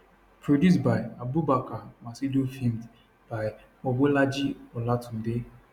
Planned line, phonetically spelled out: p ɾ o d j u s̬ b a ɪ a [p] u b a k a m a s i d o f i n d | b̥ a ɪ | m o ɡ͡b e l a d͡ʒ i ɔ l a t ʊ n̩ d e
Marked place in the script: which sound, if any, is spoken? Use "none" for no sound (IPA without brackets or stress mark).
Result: b